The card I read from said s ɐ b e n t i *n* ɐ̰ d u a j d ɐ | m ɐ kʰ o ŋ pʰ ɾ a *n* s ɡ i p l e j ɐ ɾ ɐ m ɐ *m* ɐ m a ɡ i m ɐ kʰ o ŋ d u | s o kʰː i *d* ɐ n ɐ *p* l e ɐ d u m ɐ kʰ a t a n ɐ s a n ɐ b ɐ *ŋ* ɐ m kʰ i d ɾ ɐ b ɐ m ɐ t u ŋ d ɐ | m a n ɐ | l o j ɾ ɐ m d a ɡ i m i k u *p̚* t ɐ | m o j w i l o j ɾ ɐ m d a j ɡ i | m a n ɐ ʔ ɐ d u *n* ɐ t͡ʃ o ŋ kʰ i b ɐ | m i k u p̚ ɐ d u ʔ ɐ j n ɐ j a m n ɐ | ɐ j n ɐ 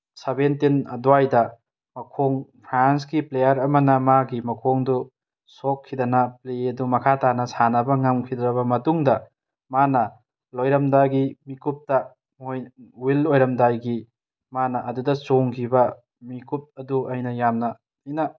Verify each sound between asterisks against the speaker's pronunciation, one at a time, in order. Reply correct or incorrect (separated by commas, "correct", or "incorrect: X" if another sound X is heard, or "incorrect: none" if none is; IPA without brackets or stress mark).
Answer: correct, correct, incorrect: n, correct, correct, correct, correct, incorrect: d